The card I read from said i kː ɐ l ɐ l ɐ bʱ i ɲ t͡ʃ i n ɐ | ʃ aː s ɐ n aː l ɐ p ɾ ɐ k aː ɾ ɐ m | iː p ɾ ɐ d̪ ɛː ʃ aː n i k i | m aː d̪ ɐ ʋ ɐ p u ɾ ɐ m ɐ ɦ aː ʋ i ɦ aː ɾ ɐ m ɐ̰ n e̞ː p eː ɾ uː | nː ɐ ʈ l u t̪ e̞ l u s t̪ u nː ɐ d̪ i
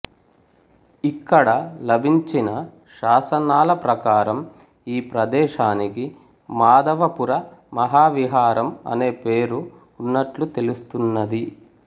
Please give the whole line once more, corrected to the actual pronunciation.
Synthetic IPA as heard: i kː ɐ ɽ ɐ l ɐ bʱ i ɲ t͡ʃ i n ɐ | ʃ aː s ɐ n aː l ɐ p ɾ ɐ k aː ɾ ɐ m | iː p ɾ ɐ d̪ ɛː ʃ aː n i k i | m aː d̪ ɐ ʋ ɐ p u ɾ ɐ m ɐ ɦ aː ʋ i ɦ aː ɾ ɐ m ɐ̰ n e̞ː p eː ɾ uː | nː ɐ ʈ l u t̪ e̞ l u s t̪ u nː ɐ d̪ i